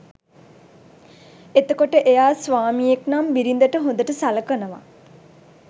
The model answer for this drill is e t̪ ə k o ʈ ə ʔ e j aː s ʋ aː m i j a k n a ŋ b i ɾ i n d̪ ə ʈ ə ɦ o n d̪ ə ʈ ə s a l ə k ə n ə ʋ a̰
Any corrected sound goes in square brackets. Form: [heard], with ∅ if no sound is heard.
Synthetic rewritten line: e t̪ ə k o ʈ ə ʔ e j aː s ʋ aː m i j [e] k n a [m] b i ɾ i n d̪ ə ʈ ə ɦ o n d̪ ə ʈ ə s a l ə k ə n ə ʋ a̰